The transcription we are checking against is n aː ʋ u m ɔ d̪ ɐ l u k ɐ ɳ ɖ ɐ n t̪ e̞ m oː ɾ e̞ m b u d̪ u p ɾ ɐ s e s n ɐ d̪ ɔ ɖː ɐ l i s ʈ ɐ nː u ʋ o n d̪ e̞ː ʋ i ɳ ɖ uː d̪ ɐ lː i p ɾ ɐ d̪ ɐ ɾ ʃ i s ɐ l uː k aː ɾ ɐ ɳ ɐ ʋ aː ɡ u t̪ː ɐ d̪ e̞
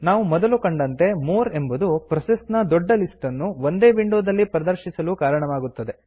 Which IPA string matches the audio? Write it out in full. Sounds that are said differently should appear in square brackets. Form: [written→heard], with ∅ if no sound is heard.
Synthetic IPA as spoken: n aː ʋ u m ɔ d̪ ɐ l u k ɐ ɳ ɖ ɐ n t̪ e̞ m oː ɾ e̞ m b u d̪ u p ɾ ɐ s e s n ɐ d̪ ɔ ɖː ɐ l i s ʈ ɐ nː u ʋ o n d̪ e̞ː ʋ i ɳ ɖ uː d̪ ɐ lː i p ɾ ɐ d̪ ɐ ɾ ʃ i s ɐ l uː k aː ɾ ɐ ɳ ɐ ʋ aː ɡ u t̪ː ɐ d̪ e̞